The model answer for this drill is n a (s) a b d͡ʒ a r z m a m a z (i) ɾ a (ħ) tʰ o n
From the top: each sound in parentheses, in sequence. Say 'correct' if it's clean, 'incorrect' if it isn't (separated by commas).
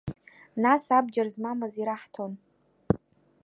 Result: correct, correct, correct